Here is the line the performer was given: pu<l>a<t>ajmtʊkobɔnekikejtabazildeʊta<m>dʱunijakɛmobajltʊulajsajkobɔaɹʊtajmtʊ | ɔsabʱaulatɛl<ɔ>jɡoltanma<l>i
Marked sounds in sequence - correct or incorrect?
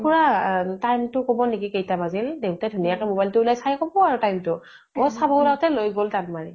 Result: incorrect, correct, incorrect, incorrect, incorrect

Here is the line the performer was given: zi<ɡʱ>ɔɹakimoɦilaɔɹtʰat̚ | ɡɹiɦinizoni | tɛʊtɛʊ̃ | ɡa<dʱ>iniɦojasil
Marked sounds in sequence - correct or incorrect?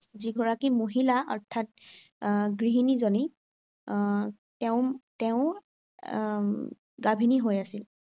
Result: correct, incorrect

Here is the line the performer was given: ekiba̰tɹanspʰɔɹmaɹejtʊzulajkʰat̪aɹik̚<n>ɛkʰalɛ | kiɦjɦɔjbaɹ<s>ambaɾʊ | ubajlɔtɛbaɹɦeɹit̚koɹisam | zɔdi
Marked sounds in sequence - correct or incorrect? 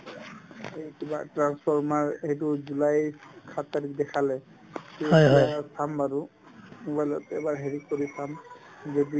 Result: incorrect, correct

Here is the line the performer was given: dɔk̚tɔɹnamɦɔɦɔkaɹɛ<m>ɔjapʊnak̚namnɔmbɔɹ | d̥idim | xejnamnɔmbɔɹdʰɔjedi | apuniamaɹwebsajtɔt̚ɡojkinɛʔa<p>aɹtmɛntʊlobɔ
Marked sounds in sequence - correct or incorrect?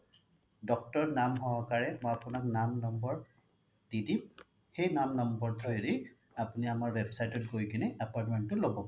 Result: correct, correct

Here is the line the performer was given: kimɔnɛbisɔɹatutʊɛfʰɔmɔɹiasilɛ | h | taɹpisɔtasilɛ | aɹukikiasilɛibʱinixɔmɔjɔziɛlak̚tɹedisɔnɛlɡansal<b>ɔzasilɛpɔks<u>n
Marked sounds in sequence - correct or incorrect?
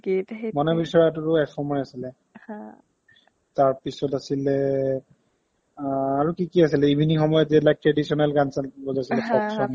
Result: correct, incorrect

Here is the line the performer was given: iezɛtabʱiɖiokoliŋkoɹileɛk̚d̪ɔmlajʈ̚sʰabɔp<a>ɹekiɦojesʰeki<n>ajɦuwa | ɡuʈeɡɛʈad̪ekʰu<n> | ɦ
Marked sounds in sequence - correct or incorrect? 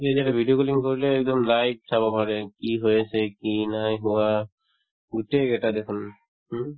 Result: correct, correct, correct

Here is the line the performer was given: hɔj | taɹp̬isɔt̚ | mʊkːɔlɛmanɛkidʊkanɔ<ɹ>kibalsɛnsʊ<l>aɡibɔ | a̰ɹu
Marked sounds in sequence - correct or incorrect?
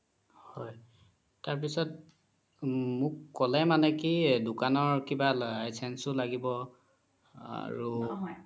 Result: correct, correct

